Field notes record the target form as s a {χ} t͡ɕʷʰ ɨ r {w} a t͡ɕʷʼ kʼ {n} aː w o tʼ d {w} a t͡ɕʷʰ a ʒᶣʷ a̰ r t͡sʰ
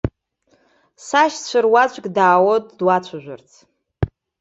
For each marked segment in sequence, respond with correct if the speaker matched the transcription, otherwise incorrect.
incorrect, correct, incorrect, correct

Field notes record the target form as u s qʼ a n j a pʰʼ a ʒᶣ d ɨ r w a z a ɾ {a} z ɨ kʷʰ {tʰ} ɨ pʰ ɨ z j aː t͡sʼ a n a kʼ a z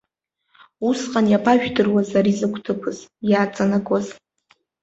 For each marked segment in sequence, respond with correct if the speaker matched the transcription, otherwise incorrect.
incorrect, correct

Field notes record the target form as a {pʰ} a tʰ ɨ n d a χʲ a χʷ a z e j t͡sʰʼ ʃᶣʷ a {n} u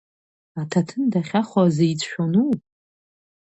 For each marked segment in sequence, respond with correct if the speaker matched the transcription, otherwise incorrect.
incorrect, correct

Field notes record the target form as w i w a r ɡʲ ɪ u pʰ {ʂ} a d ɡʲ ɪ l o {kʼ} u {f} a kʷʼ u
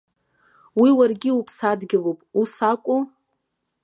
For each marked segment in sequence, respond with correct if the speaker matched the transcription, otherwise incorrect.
incorrect, incorrect, incorrect

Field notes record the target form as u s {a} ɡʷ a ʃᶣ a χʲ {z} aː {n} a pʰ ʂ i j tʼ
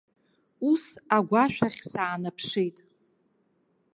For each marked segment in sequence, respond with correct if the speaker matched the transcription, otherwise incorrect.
correct, incorrect, correct

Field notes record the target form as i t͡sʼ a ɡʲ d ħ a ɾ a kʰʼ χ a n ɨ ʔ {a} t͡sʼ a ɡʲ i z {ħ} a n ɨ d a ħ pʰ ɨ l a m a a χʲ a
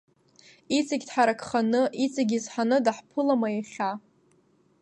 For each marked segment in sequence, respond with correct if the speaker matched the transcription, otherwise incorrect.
incorrect, correct

